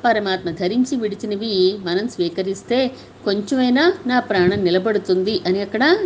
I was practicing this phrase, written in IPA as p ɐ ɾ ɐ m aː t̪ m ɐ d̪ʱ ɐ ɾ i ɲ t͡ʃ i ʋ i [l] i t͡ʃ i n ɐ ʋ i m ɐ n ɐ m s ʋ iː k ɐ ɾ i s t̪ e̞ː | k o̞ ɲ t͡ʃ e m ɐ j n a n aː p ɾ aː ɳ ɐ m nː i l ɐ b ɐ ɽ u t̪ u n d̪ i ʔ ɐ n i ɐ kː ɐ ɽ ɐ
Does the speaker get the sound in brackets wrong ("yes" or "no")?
yes